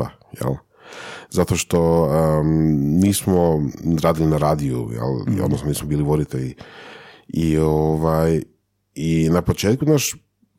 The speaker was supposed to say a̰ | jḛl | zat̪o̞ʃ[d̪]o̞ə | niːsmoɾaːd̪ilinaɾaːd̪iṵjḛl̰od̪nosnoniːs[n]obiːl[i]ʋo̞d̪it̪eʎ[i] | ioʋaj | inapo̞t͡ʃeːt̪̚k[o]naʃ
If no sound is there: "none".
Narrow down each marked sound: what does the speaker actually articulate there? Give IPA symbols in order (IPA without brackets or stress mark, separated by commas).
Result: t̪, m, i, i, u